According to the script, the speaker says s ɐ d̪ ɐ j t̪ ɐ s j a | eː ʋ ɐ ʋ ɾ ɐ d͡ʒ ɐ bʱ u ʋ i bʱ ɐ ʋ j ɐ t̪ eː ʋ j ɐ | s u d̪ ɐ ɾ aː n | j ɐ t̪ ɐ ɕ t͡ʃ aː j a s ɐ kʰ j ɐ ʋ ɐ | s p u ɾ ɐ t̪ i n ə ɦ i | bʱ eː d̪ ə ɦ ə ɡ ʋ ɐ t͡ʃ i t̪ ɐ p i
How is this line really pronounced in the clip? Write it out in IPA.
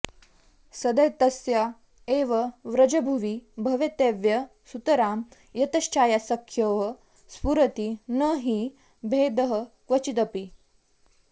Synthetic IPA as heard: s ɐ d̪ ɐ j t̪ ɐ s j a | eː ʋ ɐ ʋ ɾ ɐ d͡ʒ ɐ bʱ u ʋ i bʱ ɐ ʋ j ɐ t̪ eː ʋ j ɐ | s u t̪ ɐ ɾ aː m | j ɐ t̪ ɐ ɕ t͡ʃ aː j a s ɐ kʰ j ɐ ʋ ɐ | s p u ɾ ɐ t̪ i n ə ɦ i | bʱ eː d̪ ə ɦ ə k ʋ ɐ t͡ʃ i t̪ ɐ p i